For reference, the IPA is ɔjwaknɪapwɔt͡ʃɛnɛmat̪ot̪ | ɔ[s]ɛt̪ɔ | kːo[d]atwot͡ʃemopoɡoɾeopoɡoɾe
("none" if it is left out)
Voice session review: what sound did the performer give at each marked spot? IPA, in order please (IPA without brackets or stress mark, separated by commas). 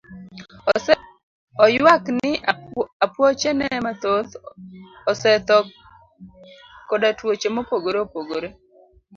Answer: s, d